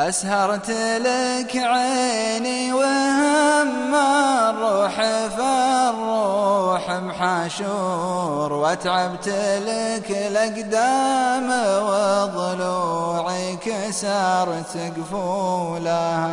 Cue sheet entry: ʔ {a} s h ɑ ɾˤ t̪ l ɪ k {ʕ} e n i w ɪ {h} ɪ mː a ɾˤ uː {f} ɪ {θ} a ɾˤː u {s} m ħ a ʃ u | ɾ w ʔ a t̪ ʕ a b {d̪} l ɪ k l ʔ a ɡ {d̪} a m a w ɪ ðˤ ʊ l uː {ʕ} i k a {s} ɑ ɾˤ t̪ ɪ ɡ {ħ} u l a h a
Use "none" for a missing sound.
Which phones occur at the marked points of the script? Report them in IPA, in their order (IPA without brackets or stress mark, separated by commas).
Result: a, ʕ, h, ħ, f, ħ, t̪, d̪, ʕ, s, f